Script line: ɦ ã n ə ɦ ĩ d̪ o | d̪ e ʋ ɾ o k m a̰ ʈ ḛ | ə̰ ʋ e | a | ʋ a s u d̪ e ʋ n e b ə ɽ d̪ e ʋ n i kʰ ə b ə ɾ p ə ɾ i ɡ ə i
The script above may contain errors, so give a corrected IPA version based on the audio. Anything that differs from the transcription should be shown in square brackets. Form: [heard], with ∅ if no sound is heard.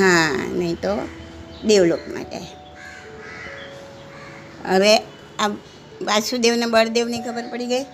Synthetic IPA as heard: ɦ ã n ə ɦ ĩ [t̪] o | d̪ e ʋ [l] o k m a̰ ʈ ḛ | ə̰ ʋ e | a | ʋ a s u d̪ e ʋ n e b ə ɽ d̪ e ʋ n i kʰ ə b ə ɾ p ə [ɽ] i ɡ ə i